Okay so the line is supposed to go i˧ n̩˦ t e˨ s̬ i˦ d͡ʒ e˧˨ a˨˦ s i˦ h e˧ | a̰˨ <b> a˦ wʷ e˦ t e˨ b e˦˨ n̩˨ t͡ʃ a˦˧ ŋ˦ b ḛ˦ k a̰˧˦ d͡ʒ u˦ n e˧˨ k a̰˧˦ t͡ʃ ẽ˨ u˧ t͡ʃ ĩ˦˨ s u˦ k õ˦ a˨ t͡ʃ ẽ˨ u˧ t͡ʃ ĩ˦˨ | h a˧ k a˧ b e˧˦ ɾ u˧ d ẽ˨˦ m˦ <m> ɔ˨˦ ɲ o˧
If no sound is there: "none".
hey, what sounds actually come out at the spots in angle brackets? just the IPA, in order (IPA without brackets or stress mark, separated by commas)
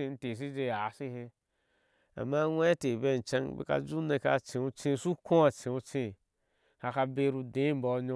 m, b